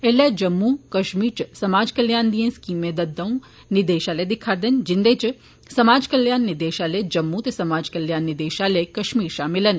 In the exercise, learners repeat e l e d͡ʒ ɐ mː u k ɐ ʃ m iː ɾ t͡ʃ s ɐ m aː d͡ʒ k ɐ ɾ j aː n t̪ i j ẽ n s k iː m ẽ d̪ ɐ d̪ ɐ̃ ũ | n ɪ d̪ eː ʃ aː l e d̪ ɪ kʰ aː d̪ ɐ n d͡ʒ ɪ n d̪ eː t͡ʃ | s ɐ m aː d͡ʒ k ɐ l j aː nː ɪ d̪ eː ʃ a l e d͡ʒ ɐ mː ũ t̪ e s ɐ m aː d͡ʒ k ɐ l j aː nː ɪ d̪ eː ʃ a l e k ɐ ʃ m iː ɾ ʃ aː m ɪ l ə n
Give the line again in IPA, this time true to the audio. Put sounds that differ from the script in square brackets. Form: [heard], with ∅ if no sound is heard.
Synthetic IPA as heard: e l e d͡ʒ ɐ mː u k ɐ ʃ m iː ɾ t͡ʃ s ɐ m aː d͡ʒ k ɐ [l] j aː n [d̪] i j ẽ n s k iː m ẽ d̪ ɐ d̪ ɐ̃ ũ | n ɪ d̪ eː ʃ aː l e d̪ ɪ kʰ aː d̪ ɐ n d͡ʒ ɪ n d̪ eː t͡ʃ | s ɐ m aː d͡ʒ k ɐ l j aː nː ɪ d̪ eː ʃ a l e d͡ʒ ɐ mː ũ t̪ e s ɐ m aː d͡ʒ k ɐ l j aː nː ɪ d̪ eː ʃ a l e k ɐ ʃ m iː ɾ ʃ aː m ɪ l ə n